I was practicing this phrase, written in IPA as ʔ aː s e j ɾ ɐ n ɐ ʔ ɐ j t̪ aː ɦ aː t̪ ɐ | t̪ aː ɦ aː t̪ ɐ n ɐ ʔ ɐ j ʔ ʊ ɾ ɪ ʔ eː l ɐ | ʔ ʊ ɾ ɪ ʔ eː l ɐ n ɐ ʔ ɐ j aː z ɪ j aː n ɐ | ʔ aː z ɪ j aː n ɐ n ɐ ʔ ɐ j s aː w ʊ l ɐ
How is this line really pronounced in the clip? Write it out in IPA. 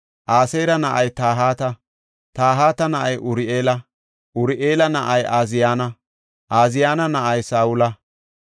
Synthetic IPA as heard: ʔ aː s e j ɾ ɐ n ɐ ʔ ɐ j t̪ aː ɦ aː t̪ ɐ | t̪ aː ɦ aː t̪ ɐ n ɐ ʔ ɐ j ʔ ʊ ɾ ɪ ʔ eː l ɐ | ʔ ʊ ɾ ɪ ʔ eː l ɐ n ɐ ʔ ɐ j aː z ɪ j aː n ɐ | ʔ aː z ɪ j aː n ɐ n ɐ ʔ ɐ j s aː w ʊ l ɐ

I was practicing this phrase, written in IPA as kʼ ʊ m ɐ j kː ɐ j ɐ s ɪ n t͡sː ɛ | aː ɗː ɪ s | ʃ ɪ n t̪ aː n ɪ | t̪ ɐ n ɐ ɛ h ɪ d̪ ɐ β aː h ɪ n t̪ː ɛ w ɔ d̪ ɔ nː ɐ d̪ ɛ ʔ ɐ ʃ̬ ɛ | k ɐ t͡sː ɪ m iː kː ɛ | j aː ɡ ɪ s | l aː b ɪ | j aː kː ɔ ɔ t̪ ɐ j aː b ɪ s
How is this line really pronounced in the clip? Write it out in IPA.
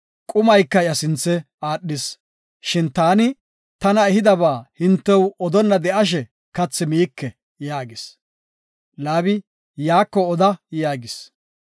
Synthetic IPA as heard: kʼ ʊ m ɐ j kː ɐ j ɐ s ɪ n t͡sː ɛ | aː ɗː ɪ s | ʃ ɪ n t̪ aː n ɪ | t̪ ɐ n ɐ ɛ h ɪ d̪ ɐ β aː h ɪ n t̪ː ɛ w ɔ d̪ ɔ nː ɐ d̪ ɛ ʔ ɐ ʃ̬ ɛ | k ɐ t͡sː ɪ m iː kː ɛ | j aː ɡ ɪ s | l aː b ɪ | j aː kː ɔ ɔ d̪ ɐ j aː ɡ ɪ s

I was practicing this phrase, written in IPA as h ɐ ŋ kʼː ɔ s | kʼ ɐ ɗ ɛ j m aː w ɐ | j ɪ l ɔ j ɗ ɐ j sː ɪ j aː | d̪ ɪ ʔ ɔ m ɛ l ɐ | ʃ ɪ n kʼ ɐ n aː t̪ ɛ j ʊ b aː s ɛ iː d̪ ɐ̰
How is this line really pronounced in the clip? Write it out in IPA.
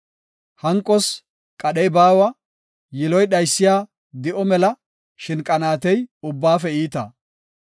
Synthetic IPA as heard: h ɐ ŋ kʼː ɔ s | kʼ ɐ ɗ ɛ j b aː w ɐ | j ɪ l ɔ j ɗ ɐ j sː ɪ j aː | d̪ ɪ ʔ ɔ m ɛ l ɐ | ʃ ɪ n kʼ ɐ n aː t̪ ɛ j ʊ bː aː f ɛ iː t̪ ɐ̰

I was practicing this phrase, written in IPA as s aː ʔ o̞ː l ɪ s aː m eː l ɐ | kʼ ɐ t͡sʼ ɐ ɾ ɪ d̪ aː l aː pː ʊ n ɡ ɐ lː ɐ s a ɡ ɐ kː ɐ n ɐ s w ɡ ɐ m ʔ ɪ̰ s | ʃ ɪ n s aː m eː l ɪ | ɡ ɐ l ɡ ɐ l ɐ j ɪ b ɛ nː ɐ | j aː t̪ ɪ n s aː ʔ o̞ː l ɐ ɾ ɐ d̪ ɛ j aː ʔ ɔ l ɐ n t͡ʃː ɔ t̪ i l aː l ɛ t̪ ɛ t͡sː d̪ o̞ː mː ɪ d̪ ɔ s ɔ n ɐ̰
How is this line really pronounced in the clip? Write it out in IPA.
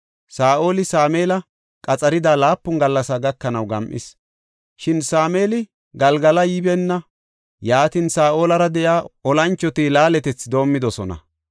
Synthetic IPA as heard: s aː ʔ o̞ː l ɪ s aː m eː l ɐ | kʼ ɐ t͡sʼ ɐ ɾ ɪ d̪ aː l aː pː ʊ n ɡ ɐ lː ɐ s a ɡ ɐ kː ɐ n ɐ w ɡ ɐ m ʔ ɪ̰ s | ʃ ɪ n s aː m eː l ɪ | ɡ ɐ l ɡ ɐ l ɐ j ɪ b ɛ nː ɐ | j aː t̪ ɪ n s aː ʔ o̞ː l ɐ ɾ ɐ d̪ ɛ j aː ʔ ɔ l ɐ n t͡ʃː ɔ t̪ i l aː l ɛ t̪ ɛ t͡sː d̪ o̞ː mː ɪ d̪ ɔ s ɔ n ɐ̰

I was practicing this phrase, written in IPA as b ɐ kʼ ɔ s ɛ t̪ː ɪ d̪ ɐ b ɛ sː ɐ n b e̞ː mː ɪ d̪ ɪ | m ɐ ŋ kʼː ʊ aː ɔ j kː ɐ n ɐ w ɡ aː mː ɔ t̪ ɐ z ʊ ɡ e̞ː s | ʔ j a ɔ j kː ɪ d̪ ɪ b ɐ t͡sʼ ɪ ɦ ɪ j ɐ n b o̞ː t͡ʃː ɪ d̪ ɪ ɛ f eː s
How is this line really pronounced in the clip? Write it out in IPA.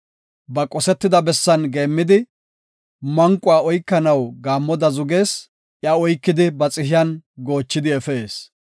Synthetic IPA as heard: b ɐ kʼ ɔ s ɛ t̪ː ɪ d̪ ɐ b ɛ sː ɐ n ɡ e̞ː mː ɪ d̪ ɪ | m ɐ ŋ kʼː ʊ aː ɔ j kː ɐ n ɐ w ɡ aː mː ɔ d̪ ɐ z ʊ ɡ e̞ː s | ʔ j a ɔ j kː ɪ d̪ ɪ b ɐ t͡sʼ ɪ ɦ ɪ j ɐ n ɡ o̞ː t͡ʃː ɪ d̪ ɪ ɛ f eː s

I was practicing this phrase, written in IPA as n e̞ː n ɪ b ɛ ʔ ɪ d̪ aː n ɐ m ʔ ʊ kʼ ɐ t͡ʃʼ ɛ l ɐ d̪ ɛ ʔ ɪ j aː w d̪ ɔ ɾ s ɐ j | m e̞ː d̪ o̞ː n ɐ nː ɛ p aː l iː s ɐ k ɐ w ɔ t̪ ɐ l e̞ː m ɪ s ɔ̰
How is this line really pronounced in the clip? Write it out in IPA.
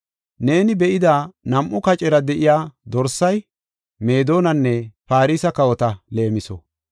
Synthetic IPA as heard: n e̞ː n ɪ b ɛ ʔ ɪ d̪ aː n ɐ m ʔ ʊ k ɐ t͡ʃʼ ɛ ɾ ɐ d̪ ɛ ʔ ɪ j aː d̪ ɔ ɾ s ɐ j | m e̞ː d̪ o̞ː n ɐ nː ɛ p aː ɾ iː s ɐ k ɐ w ɔ t̪ ɐ l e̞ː m ɪ s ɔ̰

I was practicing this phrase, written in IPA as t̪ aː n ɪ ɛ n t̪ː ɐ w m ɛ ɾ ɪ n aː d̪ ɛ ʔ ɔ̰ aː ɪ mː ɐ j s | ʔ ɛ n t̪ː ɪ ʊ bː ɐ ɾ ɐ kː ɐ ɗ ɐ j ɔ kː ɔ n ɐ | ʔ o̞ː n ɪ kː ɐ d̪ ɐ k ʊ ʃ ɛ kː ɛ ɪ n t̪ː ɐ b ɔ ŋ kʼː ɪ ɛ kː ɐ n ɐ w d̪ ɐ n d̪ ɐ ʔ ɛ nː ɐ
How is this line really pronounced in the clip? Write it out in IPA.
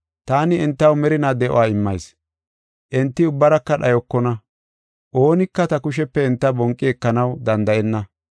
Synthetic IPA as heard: t̪ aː n ɪ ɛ n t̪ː ɐ w m ɛ ɾ ɪ n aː d̪ ɛ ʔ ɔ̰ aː ɪ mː ɐ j s | ʔ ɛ n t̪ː ɪ ʊ bː ɐ ɾ ɐ kː ɐ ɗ ɐ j ɔ kː ɔ n ɐ | ʔ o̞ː n ɪ kː ɐ t̪ ɐ k ʊ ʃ ɛ pː ɛ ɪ n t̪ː ɐ b ɔ ŋ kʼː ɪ ɛ kː ɐ n ɐ w d̪ ɐ n d̪ ɐ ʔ ɛ nː ɐ

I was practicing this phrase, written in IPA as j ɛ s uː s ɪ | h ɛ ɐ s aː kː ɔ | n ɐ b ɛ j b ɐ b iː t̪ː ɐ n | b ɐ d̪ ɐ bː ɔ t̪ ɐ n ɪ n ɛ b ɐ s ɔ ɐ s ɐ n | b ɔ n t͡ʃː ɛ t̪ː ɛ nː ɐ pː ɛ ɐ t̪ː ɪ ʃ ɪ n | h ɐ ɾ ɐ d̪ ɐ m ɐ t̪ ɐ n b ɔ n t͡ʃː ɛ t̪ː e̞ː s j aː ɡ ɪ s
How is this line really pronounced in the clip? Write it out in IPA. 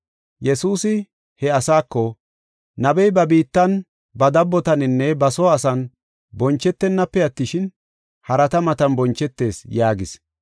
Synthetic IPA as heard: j ɛ s uː s ɪ | h ɛ ɐ s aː kː ɔ | n ɐ b ɛ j b ɐ b iː t̪ː ɐ n | b ɐ d̪ ɐ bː ɔ t̪ ɐ n ɪ nː ɛ b ɐ s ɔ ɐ s ɐ n | b ɔ n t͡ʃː ɛ t̪ː ɛ nː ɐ pː ɛ ɐ t̪ː ɪ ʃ ɪ n | h ɐ ɾ ɐ t̪ ɐ m ɐ t̪ ɐ n b ɔ n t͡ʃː ɛ t̪ː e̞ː s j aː ɡ ɪ s

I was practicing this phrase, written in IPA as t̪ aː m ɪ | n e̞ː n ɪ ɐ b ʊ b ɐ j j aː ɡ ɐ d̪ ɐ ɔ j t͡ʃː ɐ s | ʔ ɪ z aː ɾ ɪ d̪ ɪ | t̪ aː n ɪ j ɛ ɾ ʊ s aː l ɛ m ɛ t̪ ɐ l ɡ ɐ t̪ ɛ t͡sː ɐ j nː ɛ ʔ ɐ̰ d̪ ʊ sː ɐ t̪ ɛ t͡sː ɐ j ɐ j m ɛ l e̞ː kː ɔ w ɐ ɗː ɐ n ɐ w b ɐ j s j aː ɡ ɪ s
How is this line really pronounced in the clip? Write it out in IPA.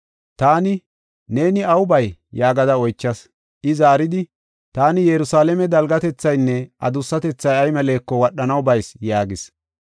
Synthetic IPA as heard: t̪ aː n ɪ | n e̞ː n ɪ ɐ w ʊ b ɐ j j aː ɡ ɐ d̪ ɐ ɔ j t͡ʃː ɐ s | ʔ ɪ z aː ɾ ɪ d̪ ɪ | t̪ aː n ɪ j ɛ ɾ ʊ s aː l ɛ m ɛ d̪ ɐ l ɡ ɐ t̪ ɛ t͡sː ɐ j nː ɛ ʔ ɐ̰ d̪ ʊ sː ɐ t̪ ɛ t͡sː ɐ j ɐ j m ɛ l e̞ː kː ɔ w ɐ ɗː ɐ n ɐ w b ɐ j s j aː ɡ ɪ s

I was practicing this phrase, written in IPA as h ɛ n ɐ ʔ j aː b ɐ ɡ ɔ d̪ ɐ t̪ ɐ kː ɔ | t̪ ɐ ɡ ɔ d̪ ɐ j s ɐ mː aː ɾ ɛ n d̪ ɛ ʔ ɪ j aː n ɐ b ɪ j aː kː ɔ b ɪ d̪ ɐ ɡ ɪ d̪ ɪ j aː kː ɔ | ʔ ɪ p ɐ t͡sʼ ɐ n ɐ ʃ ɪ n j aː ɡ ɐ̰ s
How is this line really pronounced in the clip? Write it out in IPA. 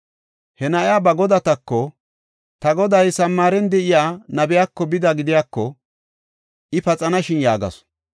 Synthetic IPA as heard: h ɛ n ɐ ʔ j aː b ɐ ɡ ɔ d̪ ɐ t̪ ɐ kː ɔ | t̪ ɐ ɡ ɔ d̪ ɐ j s ɐ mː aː ɾ ɛ n d̪ ɛ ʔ ɪ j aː n ɐ b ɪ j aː kː ɔ b ɪ d̪ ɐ ɡ ɪ d̪ ɪ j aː kː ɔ | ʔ ɪ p ɐ t͡sʼ ɐ n ɐ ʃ ɪ n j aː ɡ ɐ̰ s

